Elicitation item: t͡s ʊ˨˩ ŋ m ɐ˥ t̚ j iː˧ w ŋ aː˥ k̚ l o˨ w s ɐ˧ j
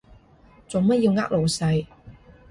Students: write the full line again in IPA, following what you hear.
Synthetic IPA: t͡s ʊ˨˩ ŋ m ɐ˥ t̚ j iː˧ w ŋ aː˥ k̚ l o˨ w s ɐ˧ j